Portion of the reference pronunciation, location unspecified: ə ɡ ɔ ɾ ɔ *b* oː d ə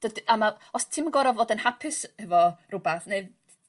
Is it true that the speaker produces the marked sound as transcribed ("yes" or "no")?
no